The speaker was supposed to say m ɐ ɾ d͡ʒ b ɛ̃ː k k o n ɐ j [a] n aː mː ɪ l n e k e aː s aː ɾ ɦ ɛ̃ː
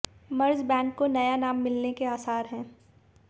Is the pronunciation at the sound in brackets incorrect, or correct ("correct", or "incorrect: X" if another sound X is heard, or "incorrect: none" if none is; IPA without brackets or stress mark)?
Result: correct